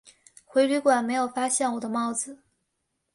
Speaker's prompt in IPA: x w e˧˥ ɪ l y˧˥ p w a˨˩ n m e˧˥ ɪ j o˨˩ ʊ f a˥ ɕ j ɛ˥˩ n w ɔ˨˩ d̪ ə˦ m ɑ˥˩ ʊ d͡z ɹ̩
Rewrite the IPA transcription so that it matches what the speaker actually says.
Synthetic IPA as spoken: x w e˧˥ ɪ l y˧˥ k w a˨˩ n m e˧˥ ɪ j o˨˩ ʊ f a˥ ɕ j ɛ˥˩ n w ɔ˨˩ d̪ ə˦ m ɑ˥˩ ʊ d͡z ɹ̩